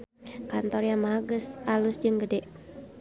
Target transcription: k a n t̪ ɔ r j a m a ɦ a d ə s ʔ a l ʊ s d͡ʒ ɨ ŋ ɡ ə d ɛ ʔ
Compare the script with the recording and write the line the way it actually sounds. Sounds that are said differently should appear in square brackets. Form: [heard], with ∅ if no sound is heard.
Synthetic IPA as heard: k a n t̪ ɔ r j a m a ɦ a [ɡ] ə s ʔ a l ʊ s d͡ʒ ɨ ŋ ɡ ə d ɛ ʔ